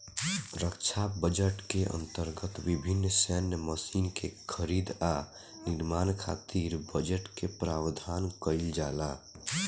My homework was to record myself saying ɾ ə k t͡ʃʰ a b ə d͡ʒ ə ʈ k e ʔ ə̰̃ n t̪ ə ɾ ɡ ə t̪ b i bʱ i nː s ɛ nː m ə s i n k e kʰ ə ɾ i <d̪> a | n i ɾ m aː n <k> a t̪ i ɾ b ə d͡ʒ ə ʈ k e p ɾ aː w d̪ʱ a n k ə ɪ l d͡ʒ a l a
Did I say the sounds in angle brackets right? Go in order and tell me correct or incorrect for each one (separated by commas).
correct, incorrect